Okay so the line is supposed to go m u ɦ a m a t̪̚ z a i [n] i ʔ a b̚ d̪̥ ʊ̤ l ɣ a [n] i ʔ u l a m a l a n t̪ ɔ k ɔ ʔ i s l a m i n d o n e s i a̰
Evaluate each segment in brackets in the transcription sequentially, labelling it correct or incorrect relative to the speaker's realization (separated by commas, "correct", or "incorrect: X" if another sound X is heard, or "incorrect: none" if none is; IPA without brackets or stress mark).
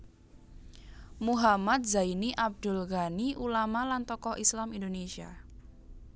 correct, correct